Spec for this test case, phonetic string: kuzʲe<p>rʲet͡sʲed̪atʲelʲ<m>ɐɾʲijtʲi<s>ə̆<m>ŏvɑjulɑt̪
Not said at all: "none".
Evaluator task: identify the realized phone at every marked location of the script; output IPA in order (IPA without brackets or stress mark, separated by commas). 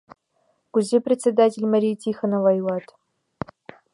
p, m, x, n